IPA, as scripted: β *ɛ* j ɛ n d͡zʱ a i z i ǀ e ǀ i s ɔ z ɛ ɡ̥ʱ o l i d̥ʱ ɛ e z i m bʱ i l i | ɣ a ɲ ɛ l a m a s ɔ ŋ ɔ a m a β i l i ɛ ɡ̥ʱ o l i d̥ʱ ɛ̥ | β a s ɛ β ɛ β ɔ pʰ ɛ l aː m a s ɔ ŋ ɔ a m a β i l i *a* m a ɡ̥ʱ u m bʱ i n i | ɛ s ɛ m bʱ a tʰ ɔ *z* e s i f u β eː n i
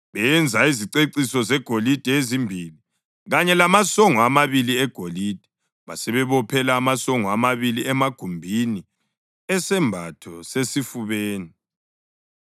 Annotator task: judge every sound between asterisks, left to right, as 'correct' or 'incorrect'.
correct, incorrect: ɛ, incorrect: s

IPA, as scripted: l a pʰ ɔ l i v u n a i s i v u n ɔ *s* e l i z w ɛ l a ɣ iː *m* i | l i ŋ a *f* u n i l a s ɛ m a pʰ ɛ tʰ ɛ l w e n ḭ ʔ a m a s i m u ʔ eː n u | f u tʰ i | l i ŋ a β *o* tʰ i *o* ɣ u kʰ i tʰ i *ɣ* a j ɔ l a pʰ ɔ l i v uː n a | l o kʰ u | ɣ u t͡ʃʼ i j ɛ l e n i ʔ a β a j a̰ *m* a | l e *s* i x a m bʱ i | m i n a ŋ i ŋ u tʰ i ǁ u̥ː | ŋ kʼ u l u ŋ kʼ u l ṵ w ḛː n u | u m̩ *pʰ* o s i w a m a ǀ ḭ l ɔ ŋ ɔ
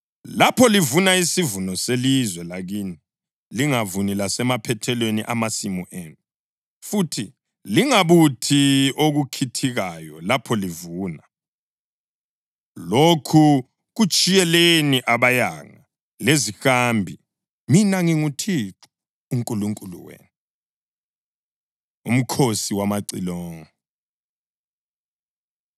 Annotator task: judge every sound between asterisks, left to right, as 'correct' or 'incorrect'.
correct, incorrect: n, incorrect: v, incorrect: u, correct, correct, incorrect: ŋ, incorrect: z, incorrect: kʰ

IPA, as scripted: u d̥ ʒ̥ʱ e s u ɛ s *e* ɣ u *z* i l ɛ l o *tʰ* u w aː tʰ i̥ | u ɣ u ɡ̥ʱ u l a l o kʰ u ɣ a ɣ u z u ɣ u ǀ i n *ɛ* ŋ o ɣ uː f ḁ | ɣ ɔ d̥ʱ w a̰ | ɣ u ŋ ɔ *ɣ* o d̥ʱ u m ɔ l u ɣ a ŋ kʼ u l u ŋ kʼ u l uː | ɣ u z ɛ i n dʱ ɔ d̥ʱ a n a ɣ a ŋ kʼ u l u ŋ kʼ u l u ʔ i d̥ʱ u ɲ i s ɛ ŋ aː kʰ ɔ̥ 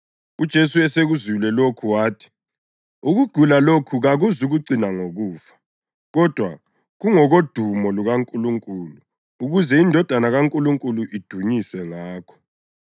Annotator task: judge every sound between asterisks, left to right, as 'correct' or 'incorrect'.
correct, correct, incorrect: kʰ, incorrect: a, correct

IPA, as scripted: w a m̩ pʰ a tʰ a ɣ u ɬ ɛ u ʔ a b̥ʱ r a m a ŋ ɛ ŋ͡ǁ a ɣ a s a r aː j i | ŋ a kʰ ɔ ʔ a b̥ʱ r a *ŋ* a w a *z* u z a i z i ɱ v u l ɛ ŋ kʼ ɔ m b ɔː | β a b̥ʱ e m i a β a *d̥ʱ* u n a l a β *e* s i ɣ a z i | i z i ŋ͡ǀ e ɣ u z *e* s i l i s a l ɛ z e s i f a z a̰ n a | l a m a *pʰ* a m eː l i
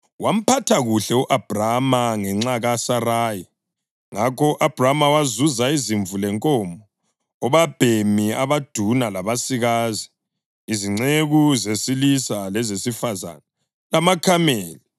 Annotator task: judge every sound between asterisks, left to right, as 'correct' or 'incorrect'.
incorrect: m, correct, correct, incorrect: a, correct, incorrect: kʰ

